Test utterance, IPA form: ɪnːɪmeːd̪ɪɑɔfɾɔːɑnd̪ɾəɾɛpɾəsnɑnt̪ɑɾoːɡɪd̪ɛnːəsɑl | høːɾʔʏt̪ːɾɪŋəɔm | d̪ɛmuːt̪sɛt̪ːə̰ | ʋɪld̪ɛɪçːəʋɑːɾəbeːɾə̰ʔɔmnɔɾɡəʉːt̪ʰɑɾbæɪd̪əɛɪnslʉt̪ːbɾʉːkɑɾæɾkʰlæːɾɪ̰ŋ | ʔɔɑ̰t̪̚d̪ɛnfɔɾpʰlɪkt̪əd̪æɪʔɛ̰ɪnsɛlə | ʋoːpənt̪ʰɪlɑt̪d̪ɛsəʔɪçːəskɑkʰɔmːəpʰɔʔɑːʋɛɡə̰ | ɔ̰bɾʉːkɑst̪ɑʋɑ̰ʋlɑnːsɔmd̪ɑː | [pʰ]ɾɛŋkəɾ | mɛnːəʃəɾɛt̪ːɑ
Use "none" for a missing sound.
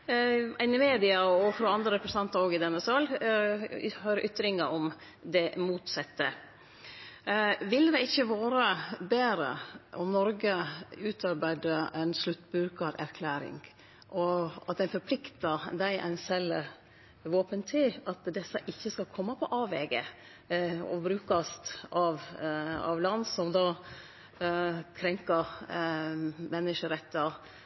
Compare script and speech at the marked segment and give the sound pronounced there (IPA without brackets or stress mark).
kʰ